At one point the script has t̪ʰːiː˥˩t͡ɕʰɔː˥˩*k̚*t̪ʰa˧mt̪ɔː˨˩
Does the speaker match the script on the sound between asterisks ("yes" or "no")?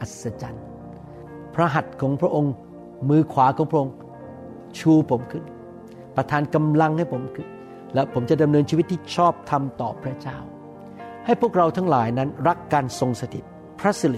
no